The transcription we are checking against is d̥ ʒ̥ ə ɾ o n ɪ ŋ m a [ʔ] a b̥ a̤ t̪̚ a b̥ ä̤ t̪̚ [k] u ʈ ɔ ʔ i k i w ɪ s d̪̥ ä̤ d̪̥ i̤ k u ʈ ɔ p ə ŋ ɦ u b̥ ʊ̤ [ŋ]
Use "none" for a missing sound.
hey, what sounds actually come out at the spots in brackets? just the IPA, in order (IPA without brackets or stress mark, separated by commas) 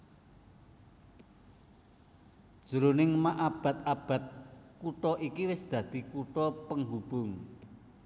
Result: ʔ, k, ŋ